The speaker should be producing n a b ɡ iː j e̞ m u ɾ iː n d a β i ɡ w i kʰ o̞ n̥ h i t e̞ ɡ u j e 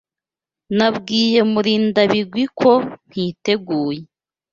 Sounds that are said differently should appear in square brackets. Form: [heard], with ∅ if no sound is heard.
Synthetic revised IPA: n a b ɡ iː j e̞ m u ɾ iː n d a β i ɡ w i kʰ o̞ n̥ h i t e̞ ɡ [uː] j e